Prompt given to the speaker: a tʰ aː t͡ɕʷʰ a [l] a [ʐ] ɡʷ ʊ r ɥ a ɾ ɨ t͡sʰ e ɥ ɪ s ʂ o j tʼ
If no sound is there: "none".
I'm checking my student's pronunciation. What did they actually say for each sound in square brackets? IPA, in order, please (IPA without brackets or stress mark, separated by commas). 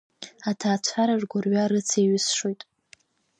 ɾ, ʐ